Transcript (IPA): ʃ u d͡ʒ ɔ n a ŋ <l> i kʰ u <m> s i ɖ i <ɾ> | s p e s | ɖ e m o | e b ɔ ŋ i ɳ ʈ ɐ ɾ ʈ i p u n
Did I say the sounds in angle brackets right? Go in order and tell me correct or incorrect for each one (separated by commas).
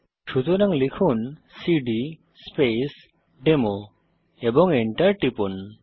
correct, incorrect, incorrect